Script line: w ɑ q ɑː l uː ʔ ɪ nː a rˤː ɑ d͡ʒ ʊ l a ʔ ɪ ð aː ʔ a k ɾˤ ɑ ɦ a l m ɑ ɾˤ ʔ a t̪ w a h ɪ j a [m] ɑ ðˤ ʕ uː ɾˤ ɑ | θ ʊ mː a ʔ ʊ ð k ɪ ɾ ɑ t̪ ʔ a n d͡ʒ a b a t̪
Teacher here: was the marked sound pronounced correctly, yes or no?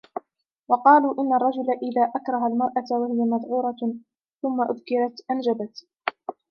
yes